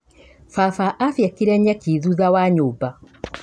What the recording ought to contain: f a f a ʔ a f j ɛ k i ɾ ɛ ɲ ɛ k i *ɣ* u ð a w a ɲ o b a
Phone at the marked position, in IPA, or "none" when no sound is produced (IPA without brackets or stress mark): ð